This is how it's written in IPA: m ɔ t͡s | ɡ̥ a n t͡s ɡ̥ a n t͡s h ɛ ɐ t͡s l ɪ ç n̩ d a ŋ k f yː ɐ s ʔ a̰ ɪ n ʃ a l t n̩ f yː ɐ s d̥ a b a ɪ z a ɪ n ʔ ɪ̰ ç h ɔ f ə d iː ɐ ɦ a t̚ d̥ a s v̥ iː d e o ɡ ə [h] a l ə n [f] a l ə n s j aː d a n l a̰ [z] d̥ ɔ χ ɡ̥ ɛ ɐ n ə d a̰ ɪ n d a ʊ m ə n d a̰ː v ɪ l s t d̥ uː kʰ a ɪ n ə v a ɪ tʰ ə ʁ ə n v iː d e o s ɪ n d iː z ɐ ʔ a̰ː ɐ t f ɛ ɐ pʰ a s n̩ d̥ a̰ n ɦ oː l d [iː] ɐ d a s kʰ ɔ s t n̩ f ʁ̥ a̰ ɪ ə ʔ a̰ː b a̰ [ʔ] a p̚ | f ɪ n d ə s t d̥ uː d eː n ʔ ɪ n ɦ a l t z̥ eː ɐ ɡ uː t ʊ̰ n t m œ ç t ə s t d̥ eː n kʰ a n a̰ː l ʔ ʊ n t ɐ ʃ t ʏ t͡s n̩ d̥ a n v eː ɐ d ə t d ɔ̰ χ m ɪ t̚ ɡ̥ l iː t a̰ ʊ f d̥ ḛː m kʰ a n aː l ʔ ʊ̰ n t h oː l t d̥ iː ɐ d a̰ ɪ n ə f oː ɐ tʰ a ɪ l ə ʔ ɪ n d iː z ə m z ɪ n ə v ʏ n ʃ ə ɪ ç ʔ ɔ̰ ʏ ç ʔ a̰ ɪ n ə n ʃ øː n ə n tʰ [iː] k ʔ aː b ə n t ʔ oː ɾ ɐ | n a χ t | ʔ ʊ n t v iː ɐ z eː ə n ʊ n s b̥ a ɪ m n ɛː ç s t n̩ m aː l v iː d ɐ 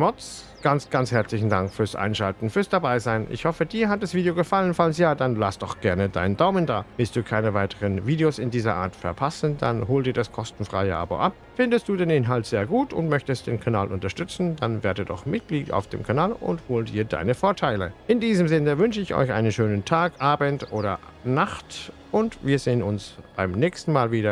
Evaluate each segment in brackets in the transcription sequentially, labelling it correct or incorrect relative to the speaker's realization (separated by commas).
incorrect, correct, incorrect, correct, correct, incorrect